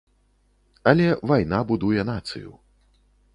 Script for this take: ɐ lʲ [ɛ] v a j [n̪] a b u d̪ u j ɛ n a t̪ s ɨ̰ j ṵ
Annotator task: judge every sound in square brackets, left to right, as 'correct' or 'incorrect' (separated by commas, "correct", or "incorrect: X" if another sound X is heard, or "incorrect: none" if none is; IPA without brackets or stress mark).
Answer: correct, correct